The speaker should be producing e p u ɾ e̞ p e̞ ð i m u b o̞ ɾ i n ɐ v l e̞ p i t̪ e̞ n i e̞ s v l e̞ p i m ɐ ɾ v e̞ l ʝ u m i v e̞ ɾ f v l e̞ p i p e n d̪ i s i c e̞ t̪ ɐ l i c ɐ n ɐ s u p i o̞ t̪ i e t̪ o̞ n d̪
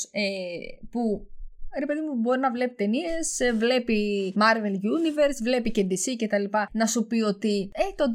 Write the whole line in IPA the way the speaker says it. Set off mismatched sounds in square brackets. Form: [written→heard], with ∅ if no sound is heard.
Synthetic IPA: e p u ɾ e̞ p e̞ ð i m u b o̞ ɾ i n ɐ v l e̞ p i t̪ e̞ n i e̞ s v l e̞ p i m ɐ ɾ v e̞ l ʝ u [m→n] i v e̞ ɾ [f→s] v l e̞ p i [p→c] e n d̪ i s i c e̞ t̪ ɐ l i [c→p] ɐ n ɐ s u p i o̞ t̪ i e t̪ o̞ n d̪